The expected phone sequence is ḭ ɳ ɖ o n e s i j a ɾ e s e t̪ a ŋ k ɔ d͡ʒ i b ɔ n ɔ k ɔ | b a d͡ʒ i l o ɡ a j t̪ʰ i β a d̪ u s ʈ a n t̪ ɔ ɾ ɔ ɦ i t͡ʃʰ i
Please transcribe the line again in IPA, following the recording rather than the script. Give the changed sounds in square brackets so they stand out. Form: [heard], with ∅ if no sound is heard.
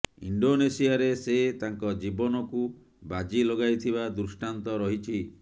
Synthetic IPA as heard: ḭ ɳ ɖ o n e s i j a ɾ e s e t̪ a ŋ k ɔ d͡ʒ i b ɔ n ɔ k [u] | b a d͡ʒ i l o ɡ a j t̪ʰ i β a d̪ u s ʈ a n t̪ ɔ ɾ ɔ ɦ i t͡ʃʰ i